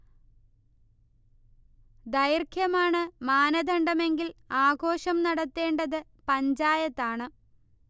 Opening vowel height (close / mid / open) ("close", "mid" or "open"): open